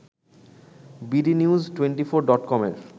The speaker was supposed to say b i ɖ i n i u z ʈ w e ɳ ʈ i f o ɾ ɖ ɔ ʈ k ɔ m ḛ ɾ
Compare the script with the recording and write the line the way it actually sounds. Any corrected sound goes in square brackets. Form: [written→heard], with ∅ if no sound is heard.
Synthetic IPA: b i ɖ i n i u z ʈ w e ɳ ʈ i f o ɾ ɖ ɔ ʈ k ɔ m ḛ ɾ